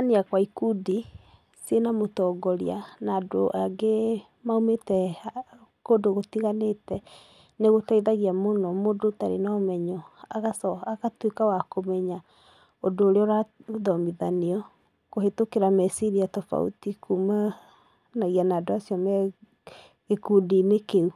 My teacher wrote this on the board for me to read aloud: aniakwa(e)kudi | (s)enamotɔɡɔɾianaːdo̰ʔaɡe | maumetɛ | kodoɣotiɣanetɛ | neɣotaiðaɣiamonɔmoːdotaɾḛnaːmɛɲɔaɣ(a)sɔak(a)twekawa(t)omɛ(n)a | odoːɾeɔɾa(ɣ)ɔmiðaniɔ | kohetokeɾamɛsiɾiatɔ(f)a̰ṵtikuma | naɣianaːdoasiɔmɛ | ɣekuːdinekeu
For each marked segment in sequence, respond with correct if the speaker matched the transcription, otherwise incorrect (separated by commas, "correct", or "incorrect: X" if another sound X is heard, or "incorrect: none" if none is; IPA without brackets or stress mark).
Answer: incorrect: i, correct, correct, correct, incorrect: k, incorrect: ɲ, incorrect: ð, correct